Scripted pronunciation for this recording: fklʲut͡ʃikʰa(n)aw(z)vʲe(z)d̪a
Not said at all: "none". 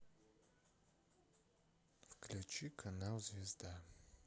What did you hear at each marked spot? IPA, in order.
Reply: n, z, z

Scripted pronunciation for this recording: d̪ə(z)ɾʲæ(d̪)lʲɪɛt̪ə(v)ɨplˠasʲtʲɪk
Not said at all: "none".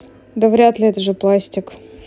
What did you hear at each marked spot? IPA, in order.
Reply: v, t̪, ʐ

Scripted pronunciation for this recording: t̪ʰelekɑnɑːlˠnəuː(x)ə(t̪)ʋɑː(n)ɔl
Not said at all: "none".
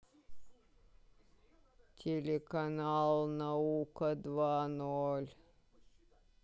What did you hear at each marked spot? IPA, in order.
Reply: k, d̪, n

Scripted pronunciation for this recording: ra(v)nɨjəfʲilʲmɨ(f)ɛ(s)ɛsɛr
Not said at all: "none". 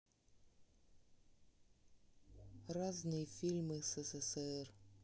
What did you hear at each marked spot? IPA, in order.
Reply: z, s, s

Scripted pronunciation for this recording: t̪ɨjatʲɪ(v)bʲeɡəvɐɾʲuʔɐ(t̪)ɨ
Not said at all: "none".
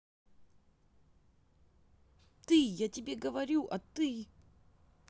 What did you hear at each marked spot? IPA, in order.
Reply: none, t̪

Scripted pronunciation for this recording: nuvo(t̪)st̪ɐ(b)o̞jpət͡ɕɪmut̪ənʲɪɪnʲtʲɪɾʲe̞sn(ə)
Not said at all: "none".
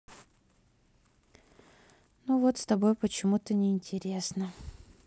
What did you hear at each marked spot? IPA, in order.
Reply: t̪, b, ə

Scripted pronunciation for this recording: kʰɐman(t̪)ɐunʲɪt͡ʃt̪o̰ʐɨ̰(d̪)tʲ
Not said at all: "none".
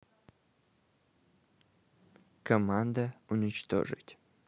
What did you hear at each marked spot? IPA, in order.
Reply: d̪, none

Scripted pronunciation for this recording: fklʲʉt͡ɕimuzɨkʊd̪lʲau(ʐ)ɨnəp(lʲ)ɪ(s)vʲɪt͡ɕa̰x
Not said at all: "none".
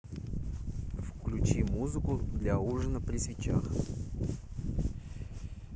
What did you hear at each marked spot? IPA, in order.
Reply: ʐ, ɾʲ, s

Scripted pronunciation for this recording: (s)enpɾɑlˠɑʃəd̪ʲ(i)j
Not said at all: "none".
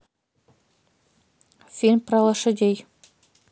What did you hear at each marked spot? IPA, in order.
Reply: s, e

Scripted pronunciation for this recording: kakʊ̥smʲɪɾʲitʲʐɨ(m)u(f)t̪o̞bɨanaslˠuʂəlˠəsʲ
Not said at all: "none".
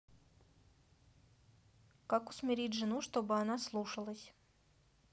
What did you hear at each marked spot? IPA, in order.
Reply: n, ʂ

